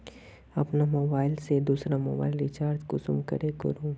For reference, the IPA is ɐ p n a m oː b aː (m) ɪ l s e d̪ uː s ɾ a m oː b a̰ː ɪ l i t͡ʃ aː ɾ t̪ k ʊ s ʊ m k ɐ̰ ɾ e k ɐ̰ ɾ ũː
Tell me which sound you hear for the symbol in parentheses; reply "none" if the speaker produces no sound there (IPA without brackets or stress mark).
none